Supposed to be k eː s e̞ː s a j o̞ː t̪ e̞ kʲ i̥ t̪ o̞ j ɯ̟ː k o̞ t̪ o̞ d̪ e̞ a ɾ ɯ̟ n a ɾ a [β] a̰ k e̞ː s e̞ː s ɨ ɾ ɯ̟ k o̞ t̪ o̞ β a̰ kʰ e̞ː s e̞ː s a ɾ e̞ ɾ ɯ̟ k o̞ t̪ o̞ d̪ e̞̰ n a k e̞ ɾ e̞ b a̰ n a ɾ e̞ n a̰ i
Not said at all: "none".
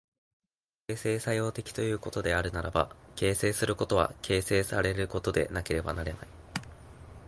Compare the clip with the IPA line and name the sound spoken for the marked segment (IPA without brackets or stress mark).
b